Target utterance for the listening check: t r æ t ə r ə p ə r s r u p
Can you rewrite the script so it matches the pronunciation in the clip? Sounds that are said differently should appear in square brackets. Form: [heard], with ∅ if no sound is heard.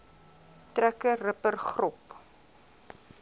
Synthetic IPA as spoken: t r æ [k] ə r ə p ə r [χ] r [ɔ] p